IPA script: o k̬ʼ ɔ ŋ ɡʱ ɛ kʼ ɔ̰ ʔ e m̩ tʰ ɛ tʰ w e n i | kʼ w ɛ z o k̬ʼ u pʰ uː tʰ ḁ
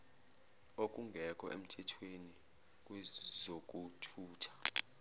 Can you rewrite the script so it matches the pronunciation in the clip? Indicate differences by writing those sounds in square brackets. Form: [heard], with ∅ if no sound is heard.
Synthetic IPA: o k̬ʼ [u] ŋ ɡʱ ɛ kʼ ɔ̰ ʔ e m̩ tʰ ɛ tʰ w e n i | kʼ w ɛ z o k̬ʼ u [tʰ] uː tʰ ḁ